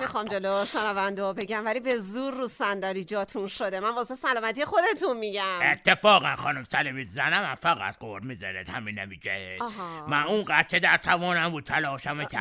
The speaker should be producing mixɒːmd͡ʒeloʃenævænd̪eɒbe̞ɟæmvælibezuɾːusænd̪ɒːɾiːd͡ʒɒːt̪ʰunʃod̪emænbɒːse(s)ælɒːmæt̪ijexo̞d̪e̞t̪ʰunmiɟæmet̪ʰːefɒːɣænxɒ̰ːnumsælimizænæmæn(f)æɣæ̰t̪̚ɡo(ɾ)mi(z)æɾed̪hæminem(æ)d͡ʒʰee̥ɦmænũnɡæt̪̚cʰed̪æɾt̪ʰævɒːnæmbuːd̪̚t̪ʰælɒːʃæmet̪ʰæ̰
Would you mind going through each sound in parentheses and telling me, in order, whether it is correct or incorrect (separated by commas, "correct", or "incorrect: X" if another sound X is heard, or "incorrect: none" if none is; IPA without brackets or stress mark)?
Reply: correct, correct, correct, correct, incorrect: i